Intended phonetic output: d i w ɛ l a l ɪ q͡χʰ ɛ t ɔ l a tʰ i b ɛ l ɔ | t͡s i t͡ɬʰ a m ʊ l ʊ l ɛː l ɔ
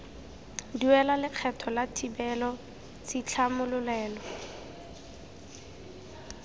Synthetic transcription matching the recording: d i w ɛ l a l ɪ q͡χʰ ɛ tʰ ɔ l a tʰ i b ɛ l ɔ | t͡s i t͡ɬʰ a m ʊ l ʊ l ɛː l ɔ